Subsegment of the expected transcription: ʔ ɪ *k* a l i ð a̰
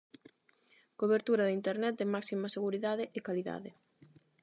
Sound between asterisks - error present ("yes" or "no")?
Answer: no